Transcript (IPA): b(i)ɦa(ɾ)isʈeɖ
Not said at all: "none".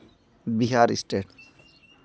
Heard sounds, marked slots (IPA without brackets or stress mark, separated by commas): i, ɾ